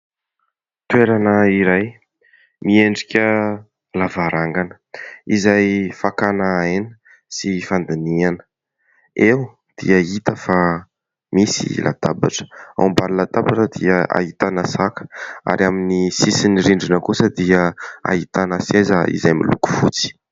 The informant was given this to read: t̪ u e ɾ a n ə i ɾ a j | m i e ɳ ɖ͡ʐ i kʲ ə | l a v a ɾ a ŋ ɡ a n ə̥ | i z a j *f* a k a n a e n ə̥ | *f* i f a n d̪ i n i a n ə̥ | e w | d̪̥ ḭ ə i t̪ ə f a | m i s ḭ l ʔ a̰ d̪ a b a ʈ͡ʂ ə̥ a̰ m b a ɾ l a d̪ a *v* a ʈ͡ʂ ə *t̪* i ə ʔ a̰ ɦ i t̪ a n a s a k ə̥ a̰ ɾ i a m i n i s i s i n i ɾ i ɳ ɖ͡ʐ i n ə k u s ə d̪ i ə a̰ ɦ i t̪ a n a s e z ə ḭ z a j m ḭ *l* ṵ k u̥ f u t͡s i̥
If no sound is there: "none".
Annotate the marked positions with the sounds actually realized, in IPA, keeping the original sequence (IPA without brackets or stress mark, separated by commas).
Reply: f, s, b, d̪, l